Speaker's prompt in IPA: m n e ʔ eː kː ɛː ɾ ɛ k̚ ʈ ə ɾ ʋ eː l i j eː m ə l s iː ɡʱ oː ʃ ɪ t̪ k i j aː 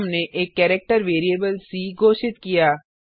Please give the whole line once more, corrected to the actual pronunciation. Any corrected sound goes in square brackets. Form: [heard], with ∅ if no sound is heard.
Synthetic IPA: m n e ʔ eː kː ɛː ɾ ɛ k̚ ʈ ə ɾ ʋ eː [ɾ] i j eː [b] ə l s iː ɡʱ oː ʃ ɪ t̪ k i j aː